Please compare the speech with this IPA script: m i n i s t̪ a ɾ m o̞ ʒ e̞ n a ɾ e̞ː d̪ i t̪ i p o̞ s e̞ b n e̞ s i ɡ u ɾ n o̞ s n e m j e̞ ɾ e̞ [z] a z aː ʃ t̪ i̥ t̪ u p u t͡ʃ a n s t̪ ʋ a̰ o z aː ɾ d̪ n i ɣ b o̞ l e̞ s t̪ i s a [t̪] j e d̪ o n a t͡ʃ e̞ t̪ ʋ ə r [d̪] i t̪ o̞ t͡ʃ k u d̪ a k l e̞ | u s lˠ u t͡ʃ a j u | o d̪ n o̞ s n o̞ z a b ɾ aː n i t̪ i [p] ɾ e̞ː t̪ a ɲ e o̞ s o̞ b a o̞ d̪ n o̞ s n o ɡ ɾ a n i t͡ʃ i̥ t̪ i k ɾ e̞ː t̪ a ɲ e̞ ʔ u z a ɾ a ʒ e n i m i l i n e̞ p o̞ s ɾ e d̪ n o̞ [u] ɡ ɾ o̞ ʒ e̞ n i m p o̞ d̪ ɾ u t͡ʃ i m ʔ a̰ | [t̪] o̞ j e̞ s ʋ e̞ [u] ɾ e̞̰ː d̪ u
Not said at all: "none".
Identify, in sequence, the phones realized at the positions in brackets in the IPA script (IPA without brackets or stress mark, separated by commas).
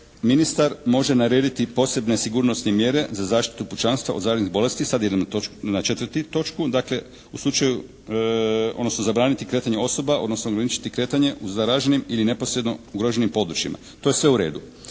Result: z, d̪, t̪, k, u, t̪, u